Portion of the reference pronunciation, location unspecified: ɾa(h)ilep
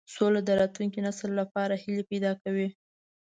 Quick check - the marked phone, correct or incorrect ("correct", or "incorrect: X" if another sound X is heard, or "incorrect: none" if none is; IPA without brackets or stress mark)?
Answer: correct